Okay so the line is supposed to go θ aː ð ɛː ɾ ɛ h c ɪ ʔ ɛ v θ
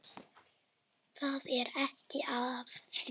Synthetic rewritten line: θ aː ð ɛ ɾ ɛ h c ɪ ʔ a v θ